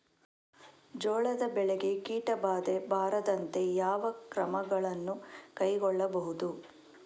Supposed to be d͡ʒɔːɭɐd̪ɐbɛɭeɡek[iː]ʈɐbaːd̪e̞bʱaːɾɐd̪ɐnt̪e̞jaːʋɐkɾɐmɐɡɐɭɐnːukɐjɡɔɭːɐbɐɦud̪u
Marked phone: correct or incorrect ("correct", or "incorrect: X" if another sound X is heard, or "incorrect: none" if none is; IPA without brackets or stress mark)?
correct